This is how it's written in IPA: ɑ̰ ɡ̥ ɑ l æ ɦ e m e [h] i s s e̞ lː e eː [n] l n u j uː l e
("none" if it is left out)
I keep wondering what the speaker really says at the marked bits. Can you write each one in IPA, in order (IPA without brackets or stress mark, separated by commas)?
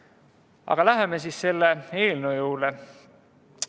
s, none